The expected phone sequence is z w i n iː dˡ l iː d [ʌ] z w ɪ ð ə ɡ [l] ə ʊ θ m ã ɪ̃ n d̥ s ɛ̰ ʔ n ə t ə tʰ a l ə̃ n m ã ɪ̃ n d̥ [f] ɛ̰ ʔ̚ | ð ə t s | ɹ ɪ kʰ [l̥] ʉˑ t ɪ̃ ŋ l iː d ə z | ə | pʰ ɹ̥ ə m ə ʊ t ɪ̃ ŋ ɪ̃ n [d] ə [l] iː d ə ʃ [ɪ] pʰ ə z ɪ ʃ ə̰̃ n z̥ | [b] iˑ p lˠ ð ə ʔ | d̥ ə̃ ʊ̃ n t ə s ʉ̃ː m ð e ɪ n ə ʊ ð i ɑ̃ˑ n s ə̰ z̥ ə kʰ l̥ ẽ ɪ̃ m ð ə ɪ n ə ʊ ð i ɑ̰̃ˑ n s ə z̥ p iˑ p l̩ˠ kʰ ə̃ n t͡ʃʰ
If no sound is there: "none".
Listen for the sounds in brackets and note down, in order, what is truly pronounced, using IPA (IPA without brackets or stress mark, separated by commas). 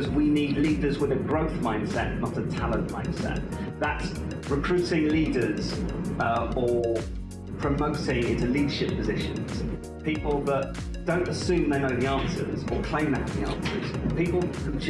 ə, ɹ, s, ɹ̥, t, l, ɪ, p